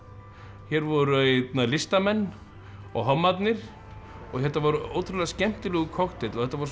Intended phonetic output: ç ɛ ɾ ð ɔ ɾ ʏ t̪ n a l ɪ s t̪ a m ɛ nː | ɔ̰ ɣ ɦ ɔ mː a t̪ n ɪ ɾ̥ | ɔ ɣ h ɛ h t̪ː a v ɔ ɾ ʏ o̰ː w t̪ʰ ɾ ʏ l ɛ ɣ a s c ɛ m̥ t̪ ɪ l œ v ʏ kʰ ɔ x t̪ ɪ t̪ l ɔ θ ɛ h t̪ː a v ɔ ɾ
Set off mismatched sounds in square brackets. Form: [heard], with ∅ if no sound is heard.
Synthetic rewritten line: ç ɛ ɾ [v] ɔ ɾ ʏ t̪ n a l ɪ s t̪ a m ɛ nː | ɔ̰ ɣ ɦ ɔ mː a t̪ n ɪ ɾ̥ | ɔ ɣ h ɛ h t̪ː a v ɔ ɾ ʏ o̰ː w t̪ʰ ɾ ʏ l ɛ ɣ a s c ɛ m̥ t̪ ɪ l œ [ɣ] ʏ kʰ ɔ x t̪ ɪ t̪ l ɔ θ ɛ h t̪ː a v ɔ ɾ